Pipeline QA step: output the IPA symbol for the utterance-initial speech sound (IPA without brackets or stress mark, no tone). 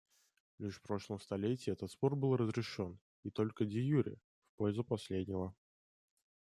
lʲ